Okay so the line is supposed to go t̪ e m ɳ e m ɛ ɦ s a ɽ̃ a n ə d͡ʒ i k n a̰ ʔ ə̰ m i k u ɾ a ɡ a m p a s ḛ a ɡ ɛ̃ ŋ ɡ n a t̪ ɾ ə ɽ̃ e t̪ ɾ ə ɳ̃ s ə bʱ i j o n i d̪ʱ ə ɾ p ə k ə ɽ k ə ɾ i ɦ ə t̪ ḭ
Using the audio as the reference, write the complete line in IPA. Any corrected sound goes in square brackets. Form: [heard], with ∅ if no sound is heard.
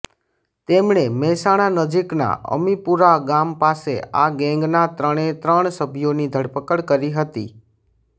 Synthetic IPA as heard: t̪ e m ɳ e m ɛ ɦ s a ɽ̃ a n ə d͡ʒ i k n a̰ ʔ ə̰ m i [p] u ɾ a ɡ a m p a s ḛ a ɡ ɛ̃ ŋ ɡ n a t̪ ɾ ə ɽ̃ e t̪ ɾ ə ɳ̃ s ə bʱ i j o n i d̪ʱ ə [ɽ] p ə k ə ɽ k ə ɾ i ɦ ə t̪ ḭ